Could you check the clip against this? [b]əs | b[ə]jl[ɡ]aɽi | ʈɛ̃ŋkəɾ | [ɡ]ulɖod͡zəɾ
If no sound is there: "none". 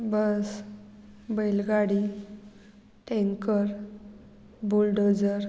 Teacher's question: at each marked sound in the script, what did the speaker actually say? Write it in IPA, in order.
b, ə, ɡ, b

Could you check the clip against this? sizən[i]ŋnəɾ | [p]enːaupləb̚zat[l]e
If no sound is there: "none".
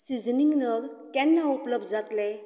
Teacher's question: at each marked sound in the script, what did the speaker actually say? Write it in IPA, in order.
i, k, l

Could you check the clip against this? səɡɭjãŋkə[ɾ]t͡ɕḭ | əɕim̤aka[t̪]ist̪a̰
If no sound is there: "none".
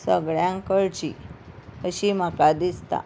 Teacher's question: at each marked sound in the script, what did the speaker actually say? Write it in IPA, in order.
ɭ, d̪

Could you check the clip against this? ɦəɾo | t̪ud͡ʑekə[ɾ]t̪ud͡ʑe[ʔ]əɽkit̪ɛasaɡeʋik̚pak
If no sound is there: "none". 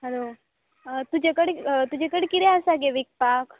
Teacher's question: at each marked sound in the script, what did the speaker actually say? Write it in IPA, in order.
ɽ, k

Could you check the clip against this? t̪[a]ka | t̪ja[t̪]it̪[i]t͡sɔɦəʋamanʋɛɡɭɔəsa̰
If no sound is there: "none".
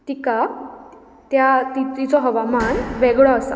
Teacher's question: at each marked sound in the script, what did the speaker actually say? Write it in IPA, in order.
i, t̪, i

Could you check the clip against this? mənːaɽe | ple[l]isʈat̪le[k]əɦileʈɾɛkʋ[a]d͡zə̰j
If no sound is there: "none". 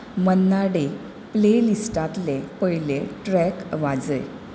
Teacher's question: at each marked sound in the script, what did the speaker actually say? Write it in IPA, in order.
l, p, a

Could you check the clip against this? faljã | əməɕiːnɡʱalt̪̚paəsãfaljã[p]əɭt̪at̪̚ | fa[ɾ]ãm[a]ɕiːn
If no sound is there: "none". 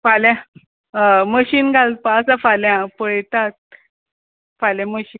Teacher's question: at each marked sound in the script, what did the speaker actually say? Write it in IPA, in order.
p, l, ə

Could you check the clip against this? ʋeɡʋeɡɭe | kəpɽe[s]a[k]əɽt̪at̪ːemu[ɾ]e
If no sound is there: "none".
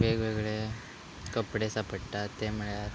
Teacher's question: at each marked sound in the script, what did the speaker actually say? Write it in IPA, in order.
s, p, ɭ

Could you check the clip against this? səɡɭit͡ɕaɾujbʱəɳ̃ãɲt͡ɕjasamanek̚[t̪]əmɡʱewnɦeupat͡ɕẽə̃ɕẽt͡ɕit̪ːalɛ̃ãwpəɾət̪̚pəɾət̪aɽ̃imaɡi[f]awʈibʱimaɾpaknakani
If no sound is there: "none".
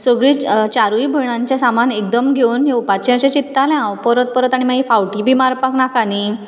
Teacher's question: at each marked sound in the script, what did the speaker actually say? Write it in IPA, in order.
d̪, f

